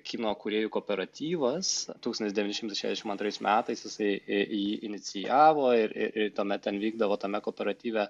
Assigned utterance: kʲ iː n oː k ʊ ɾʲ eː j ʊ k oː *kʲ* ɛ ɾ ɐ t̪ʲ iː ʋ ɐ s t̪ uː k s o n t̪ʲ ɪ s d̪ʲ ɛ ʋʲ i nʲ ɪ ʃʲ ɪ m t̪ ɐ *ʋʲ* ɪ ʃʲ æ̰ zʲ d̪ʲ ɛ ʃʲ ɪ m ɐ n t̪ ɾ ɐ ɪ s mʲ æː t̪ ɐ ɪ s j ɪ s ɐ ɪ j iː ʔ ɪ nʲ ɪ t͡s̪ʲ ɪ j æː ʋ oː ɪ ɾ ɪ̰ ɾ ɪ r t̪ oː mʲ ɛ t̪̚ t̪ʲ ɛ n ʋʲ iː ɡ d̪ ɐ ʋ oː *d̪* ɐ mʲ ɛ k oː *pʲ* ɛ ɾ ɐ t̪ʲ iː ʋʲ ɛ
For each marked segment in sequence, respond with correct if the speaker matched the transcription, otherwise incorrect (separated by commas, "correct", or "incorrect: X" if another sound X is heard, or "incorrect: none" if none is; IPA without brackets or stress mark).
incorrect: pʲ, incorrect: none, incorrect: t̪, correct